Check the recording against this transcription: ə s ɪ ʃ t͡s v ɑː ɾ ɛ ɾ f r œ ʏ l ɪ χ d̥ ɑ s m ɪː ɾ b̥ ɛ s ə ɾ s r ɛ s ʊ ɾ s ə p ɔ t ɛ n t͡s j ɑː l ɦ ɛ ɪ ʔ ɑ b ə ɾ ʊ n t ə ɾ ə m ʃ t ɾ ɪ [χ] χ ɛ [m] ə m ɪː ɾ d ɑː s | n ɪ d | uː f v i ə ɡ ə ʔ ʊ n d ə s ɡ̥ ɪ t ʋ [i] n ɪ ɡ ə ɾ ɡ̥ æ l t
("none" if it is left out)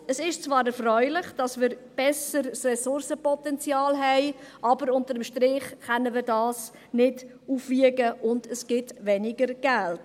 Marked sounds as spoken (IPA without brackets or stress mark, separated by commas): χ, n, ɛ